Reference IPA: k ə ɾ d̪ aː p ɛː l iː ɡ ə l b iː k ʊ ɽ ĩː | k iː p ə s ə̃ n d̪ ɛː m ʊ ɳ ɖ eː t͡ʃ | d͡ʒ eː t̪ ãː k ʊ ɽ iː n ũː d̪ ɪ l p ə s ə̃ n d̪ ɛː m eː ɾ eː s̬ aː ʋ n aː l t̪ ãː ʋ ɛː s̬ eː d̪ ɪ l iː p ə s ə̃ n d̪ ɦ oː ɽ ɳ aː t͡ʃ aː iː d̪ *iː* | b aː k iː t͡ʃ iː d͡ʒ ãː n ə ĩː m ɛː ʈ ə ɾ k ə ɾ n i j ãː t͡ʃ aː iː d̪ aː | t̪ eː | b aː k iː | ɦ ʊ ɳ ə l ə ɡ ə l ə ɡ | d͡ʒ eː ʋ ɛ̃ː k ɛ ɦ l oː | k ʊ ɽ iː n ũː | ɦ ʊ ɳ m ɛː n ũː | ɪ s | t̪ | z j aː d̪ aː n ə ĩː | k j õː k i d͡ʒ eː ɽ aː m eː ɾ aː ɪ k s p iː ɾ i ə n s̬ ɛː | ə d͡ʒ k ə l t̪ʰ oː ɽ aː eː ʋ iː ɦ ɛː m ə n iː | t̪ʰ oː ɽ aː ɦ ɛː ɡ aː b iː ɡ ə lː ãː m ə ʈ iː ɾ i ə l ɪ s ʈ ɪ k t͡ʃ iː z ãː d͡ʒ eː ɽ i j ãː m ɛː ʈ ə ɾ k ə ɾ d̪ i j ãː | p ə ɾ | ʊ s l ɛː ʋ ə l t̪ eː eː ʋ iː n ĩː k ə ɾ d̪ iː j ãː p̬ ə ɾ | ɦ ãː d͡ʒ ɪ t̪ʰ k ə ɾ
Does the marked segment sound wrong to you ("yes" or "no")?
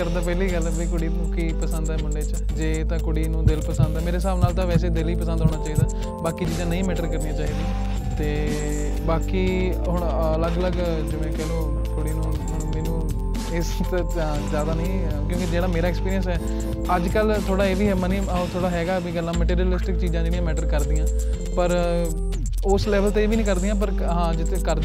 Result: yes